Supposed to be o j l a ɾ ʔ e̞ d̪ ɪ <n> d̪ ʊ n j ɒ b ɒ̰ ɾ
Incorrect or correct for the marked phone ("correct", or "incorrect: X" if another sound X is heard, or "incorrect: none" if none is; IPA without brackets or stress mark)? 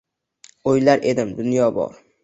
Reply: incorrect: m